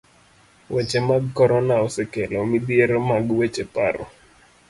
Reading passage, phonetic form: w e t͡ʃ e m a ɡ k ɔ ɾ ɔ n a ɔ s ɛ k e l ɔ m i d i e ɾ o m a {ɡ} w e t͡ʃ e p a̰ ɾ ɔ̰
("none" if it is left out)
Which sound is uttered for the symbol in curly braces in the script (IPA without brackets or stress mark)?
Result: ɡ